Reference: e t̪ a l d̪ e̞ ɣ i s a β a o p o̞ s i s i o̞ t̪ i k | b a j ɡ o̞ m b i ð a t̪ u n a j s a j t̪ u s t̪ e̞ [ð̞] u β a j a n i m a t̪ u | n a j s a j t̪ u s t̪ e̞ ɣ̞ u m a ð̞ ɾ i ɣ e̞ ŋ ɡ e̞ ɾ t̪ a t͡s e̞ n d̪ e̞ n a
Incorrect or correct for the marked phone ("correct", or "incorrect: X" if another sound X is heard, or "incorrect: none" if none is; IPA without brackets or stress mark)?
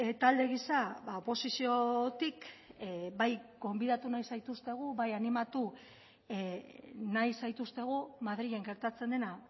incorrect: ɣ̞